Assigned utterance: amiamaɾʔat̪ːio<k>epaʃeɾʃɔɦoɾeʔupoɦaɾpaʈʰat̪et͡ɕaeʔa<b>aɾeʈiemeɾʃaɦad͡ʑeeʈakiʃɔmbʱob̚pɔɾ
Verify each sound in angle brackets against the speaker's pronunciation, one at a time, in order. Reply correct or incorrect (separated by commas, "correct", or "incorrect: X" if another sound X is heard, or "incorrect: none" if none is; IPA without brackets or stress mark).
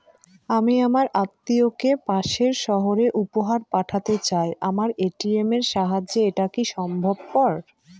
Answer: correct, incorrect: m